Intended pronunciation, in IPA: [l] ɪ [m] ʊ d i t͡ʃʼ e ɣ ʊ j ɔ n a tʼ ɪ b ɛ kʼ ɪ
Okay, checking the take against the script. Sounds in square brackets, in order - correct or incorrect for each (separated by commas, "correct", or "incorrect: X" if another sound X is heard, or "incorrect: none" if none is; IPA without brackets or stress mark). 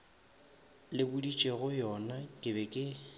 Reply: correct, incorrect: b